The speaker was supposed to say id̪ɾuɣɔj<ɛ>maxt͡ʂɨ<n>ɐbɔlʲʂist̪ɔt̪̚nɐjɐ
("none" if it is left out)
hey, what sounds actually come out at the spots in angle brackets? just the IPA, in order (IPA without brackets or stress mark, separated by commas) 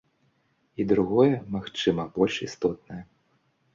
ɛ, m